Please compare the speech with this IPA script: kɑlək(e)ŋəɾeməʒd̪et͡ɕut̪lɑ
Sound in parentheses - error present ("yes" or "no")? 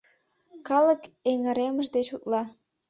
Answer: no